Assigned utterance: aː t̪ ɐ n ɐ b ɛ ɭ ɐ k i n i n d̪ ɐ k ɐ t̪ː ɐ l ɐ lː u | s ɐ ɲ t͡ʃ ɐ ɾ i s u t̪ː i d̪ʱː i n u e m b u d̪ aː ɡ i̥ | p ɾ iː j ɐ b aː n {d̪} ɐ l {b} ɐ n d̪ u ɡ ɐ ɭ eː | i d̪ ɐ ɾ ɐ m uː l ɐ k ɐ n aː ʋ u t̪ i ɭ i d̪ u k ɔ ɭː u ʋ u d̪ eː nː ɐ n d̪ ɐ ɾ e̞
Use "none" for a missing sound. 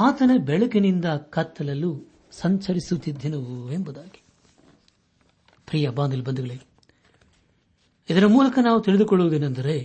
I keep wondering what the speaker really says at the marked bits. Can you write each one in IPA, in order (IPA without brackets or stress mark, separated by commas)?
d̪, b